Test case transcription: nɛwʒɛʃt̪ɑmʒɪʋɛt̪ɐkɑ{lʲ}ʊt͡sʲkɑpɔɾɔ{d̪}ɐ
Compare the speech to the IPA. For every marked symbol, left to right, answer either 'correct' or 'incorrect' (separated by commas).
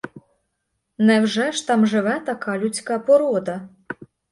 correct, correct